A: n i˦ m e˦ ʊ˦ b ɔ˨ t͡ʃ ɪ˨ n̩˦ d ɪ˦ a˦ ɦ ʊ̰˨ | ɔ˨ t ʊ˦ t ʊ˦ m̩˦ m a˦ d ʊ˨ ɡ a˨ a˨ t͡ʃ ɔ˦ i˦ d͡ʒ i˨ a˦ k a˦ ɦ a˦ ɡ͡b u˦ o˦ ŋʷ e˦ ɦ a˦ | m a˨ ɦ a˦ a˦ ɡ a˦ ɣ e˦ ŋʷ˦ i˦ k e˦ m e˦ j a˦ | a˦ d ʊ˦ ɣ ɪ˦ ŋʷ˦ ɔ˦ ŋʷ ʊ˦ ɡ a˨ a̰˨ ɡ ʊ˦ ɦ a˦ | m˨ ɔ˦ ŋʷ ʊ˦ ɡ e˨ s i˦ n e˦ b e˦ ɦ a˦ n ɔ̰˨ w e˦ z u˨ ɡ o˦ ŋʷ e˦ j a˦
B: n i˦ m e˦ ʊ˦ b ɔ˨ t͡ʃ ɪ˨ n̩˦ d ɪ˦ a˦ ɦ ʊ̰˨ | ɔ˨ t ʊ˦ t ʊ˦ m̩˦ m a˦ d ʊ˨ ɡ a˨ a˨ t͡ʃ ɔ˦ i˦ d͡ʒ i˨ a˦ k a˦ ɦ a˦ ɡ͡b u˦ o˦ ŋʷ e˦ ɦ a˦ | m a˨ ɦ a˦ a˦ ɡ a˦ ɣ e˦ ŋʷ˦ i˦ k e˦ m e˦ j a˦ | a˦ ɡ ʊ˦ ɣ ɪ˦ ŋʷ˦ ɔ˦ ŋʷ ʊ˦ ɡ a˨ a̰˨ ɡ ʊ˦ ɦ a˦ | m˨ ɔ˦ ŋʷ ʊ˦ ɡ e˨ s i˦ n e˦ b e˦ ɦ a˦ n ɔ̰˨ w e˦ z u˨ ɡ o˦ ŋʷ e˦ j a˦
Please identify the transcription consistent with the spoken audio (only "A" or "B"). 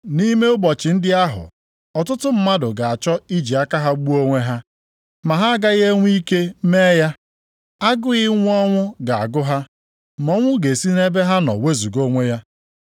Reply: B